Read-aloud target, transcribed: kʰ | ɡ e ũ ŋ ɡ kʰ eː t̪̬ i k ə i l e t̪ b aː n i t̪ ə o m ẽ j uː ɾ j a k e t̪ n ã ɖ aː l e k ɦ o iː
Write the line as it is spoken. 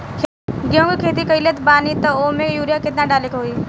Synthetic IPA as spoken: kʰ | ɡ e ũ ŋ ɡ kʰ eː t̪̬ i k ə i l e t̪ b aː n i t̪ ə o m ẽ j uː ɾ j a k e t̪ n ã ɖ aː l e k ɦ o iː